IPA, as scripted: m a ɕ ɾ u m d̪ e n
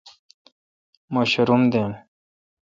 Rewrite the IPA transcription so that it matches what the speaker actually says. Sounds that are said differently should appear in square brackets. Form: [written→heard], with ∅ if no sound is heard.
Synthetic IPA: m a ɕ ɾ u m d̪ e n